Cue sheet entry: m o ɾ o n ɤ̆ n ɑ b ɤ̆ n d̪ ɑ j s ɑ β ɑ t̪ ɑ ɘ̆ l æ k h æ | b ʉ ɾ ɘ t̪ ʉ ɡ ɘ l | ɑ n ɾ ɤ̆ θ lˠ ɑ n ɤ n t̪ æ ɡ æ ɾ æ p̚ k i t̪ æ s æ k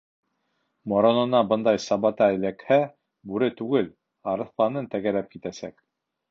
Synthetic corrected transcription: m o ɾ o n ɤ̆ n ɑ b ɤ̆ n d̪ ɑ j s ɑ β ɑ t̪ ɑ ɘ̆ l æ k h æ | b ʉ ɾ ɘ t̪ ʉ ɡ ɘ l | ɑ ɾ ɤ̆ θ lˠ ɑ n ɤ n t̪ æ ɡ æ ɾ æ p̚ k i t̪ æ s æ k